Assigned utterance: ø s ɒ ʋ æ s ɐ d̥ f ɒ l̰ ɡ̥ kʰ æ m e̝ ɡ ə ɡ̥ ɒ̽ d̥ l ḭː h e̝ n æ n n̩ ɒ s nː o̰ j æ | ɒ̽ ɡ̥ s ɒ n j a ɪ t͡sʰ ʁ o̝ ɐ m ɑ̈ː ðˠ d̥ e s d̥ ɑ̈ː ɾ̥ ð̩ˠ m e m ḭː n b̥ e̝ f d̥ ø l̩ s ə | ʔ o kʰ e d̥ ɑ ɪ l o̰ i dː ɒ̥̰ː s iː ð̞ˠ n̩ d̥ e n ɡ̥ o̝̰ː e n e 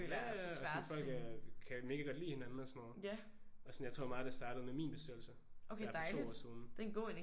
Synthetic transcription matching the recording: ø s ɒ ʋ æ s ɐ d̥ f ɒ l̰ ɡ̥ kʰ æ m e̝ ɡ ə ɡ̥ ɒ̽ d̥ l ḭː h e̝ n æ n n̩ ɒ s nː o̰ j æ | ɒ̽ s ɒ n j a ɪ t͡sʰ ʁ o̝ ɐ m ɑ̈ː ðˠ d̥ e s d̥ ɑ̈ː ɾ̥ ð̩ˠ m e m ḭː n b̥ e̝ s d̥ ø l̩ s ə | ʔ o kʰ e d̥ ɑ ɪ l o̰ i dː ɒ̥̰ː s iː ð̞ˠ n̩ d̥ e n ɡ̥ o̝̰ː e n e